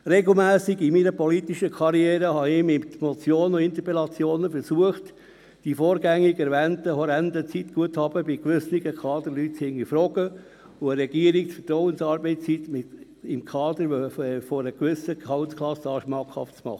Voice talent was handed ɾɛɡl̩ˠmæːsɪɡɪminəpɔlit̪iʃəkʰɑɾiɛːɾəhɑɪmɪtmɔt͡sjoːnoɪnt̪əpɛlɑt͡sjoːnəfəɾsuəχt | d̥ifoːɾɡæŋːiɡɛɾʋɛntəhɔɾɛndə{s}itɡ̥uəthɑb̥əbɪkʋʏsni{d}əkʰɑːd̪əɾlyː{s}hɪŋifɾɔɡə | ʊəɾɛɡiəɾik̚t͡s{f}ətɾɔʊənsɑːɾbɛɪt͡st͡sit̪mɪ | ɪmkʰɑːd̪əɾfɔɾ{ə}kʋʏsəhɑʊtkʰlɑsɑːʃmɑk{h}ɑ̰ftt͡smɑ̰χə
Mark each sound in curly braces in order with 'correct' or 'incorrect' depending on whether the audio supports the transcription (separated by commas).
incorrect, incorrect, incorrect, correct, correct, correct